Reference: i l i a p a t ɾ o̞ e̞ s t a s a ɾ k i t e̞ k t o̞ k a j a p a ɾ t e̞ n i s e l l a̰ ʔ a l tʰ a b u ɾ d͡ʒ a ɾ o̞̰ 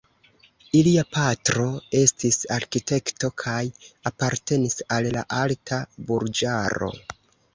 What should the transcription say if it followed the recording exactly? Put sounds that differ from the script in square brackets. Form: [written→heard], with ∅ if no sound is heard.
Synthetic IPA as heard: i l i a p a t ɾ o̞ e̞ s t [a→i] s a ɾ k i t e̞ k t o̞ [k→kʰ] a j a p a ɾ t e̞ n i s [e→a] l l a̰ ʔ a l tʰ a b u ɾ d͡ʒ a ɾ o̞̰

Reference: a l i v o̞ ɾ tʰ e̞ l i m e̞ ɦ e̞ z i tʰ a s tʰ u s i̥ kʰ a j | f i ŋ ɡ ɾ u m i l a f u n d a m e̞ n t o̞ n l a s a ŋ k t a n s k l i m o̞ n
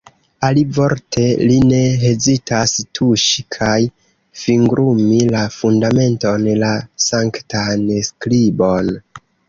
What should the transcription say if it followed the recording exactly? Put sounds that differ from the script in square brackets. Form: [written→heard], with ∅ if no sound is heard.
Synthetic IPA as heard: a l i v o̞ ɾ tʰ e̞ l i [m→n] e̞ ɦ e̞ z i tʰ a s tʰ u [s→ʃ] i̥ kʰ a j | f i ŋ ɡ ɾ u m i l a f u n d a m e̞ n t o̞ n l a s a ŋ k t a n s k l i [m→b] o̞ n

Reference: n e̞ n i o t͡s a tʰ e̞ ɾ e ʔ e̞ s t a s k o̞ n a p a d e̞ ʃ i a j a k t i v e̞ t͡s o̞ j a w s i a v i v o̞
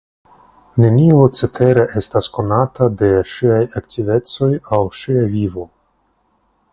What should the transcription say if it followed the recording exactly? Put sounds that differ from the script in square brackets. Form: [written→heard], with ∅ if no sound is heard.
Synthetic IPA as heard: n e̞ n i o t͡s [a→e] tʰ e̞ ɾ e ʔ e̞ s t a s k o̞ n a [p→t] a d e̞ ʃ i a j a k t i v e̞ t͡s o̞ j a w [s→ʃ] i a v i v o̞

